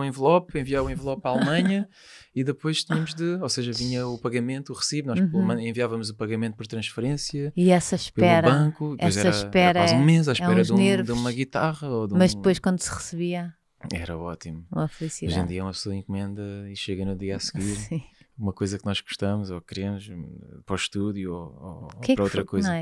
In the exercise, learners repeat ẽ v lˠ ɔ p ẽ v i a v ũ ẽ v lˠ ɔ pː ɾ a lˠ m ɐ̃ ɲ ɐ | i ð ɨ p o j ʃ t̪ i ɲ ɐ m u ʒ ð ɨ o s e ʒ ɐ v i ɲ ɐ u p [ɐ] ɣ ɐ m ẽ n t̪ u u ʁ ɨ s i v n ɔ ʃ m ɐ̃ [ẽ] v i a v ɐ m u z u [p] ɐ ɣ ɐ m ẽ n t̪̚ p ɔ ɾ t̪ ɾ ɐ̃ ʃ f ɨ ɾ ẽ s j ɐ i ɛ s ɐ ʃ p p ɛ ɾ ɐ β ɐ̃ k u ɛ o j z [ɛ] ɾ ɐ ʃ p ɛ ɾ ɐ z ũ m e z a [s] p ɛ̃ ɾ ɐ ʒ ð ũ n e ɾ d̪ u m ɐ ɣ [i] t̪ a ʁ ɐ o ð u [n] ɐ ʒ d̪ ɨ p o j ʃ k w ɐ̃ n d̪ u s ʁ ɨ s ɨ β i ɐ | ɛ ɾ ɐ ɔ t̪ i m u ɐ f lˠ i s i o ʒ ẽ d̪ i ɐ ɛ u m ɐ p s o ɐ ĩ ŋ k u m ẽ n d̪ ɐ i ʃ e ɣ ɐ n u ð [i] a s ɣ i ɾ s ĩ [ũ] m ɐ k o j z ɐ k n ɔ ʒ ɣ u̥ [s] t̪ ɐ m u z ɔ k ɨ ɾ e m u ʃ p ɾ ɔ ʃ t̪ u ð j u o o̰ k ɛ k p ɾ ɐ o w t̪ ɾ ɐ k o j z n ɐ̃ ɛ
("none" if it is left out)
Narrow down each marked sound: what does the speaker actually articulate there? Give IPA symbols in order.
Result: ɐ, ẽ, p, ɛ, ʃ, i, m, i, u, ʃ

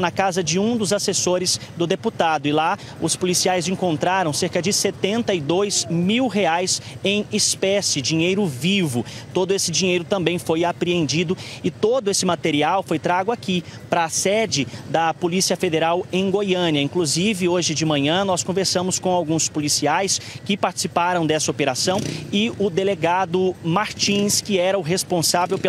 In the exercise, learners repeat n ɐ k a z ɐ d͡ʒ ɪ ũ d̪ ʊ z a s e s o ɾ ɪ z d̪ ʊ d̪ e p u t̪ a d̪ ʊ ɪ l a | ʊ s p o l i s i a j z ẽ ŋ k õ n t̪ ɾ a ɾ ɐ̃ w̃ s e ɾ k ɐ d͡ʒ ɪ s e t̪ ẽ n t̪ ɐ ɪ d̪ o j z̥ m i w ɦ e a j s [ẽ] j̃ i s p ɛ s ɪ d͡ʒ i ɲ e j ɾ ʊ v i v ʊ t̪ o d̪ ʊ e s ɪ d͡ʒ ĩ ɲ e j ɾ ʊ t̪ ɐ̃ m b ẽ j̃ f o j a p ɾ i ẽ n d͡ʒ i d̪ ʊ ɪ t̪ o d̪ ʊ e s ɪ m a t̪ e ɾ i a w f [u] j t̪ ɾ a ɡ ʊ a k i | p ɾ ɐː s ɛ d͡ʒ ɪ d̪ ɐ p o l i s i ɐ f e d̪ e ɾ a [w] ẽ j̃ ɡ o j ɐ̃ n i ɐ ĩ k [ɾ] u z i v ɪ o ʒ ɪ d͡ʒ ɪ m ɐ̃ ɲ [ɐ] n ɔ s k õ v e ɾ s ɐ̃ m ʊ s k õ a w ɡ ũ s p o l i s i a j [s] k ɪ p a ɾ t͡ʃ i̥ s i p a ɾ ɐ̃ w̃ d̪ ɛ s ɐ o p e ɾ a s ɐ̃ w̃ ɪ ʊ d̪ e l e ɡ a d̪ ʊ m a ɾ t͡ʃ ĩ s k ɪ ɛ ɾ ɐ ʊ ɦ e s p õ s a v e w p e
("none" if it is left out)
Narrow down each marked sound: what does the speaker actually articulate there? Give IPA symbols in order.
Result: ẽ, o, w, l, ɐ̃, s

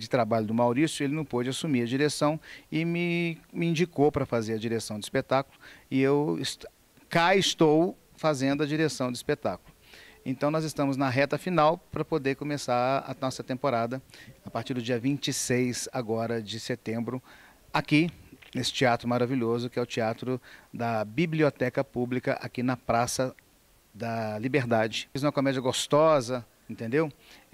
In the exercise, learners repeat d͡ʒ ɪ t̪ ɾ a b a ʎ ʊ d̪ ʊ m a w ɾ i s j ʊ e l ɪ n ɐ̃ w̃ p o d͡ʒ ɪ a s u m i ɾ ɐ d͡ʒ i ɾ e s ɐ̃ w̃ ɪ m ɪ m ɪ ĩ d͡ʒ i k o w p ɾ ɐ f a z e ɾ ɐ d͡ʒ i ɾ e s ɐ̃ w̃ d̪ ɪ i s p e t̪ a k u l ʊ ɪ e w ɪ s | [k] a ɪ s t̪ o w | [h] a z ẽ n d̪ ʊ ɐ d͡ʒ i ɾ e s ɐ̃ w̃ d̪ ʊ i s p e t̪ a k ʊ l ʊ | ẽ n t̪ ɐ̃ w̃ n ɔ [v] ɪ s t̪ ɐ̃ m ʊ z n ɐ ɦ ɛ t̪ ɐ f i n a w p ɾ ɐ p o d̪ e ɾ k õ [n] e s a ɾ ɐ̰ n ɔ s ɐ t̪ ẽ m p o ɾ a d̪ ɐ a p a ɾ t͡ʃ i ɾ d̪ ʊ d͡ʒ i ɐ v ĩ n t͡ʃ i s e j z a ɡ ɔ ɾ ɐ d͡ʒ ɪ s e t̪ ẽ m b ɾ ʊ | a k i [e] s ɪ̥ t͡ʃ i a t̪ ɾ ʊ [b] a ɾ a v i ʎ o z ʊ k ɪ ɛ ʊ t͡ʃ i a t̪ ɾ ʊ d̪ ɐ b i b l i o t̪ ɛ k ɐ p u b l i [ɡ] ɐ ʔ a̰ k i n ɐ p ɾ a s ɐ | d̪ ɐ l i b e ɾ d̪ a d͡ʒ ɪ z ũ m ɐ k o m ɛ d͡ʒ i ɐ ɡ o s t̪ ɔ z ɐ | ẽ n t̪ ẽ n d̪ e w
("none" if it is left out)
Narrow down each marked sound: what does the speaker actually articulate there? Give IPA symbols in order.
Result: k, f, z, m, e, m, k

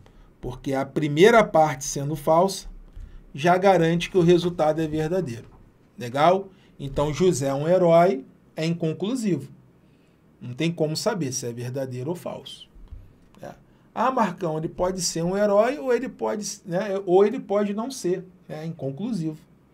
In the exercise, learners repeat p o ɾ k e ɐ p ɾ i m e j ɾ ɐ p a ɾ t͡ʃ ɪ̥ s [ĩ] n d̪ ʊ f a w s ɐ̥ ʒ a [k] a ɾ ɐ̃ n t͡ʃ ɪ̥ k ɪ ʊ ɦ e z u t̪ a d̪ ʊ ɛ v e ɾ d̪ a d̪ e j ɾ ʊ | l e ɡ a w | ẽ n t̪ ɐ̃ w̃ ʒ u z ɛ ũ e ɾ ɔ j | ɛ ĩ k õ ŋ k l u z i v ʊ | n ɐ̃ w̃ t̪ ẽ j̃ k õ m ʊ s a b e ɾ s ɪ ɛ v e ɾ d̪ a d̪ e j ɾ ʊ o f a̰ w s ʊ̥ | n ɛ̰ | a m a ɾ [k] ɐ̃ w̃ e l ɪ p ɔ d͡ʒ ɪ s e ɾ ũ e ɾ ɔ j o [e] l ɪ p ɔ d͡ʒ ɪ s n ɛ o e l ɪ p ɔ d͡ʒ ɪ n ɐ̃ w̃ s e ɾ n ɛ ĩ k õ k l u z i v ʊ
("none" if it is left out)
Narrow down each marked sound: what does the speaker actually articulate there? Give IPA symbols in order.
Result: ẽ, ɡ, k, e

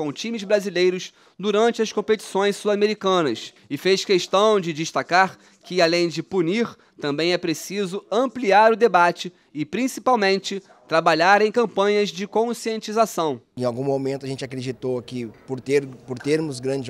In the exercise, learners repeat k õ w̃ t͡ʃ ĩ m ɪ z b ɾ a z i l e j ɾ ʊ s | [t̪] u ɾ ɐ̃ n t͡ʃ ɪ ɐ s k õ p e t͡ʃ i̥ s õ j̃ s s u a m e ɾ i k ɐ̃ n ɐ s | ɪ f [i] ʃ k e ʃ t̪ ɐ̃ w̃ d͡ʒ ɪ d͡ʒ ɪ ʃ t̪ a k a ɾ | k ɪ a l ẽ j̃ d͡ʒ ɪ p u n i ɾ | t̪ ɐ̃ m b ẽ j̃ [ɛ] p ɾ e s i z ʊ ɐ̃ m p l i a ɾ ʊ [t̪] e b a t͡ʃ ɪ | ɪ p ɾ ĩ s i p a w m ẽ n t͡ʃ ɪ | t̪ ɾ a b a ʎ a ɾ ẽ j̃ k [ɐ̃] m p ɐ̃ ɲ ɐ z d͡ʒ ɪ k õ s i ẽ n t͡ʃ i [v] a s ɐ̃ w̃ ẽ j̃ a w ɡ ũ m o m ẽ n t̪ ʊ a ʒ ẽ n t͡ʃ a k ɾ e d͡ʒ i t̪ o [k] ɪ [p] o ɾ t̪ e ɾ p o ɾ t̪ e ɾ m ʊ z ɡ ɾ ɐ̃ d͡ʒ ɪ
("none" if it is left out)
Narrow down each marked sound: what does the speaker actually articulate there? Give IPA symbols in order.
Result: d̪, e, ɛ, d̪, ɐ̃, z, k, p

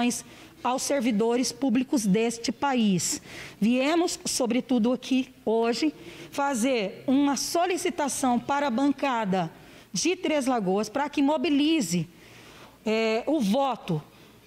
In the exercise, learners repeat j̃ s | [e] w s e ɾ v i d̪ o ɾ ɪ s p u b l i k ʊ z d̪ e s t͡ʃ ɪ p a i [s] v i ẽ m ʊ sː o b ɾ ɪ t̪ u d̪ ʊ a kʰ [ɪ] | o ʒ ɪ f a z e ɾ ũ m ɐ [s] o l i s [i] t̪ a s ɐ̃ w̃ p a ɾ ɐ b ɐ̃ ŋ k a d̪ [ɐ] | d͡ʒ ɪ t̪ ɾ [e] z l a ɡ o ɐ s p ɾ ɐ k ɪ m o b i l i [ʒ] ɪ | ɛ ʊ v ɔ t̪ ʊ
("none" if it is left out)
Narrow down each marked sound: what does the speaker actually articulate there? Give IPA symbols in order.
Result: a, s, i, s, i, ɐ, e, z

